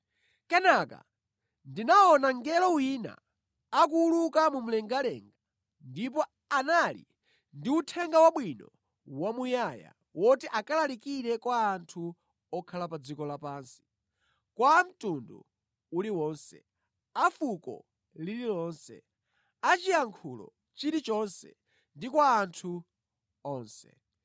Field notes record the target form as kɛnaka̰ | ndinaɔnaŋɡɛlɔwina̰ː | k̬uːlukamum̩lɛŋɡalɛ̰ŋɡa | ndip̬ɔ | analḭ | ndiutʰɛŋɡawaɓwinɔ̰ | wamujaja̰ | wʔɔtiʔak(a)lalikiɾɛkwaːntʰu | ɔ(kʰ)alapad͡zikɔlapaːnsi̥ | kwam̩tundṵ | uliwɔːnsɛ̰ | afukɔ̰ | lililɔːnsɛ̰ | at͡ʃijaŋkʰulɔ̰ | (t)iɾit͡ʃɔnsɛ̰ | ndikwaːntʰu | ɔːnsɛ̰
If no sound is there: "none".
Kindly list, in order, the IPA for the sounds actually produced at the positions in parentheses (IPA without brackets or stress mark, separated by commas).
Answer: a, kʰ, t͡ʃ